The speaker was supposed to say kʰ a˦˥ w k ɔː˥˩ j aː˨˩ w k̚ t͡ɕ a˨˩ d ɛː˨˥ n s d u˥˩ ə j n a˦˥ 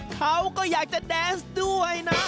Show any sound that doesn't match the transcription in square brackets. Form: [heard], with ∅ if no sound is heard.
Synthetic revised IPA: kʰ a˦˥ w k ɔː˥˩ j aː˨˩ [∅] k̚ t͡ɕ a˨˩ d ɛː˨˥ n s d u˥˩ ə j n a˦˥